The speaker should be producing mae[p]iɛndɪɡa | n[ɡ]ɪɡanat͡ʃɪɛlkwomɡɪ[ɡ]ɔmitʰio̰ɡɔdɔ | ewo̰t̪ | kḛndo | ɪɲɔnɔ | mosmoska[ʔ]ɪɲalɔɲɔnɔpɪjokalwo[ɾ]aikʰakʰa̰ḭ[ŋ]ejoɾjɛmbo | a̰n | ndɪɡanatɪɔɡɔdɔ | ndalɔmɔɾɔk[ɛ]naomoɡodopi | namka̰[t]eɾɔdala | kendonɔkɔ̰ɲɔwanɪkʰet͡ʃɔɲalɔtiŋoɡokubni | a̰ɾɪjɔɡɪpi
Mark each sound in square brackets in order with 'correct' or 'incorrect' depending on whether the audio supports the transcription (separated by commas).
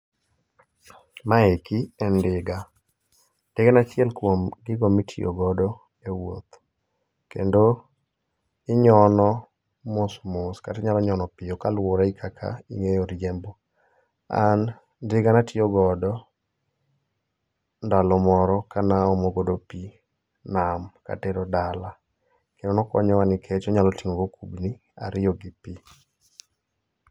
incorrect, incorrect, correct, incorrect, correct, correct, incorrect, correct